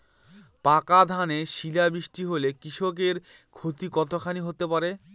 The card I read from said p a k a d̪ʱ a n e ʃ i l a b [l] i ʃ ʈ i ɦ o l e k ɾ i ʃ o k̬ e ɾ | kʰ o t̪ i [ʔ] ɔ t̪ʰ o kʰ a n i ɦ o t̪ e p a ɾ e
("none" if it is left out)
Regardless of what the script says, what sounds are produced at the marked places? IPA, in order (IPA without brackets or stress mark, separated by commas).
ɾ, k